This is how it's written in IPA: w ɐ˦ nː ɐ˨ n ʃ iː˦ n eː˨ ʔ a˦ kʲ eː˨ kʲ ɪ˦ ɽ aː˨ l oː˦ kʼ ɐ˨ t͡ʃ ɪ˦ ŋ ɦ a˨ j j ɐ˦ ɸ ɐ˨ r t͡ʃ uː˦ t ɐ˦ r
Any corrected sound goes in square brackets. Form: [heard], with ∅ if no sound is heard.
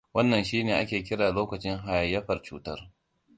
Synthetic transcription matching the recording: w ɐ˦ nː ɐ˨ n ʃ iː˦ n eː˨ ʔ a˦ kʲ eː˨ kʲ ɪ˦ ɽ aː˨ l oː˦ [k] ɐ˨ t͡ʃ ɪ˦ ŋ ɦ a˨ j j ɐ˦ ɸ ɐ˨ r t͡ʃ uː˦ t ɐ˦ r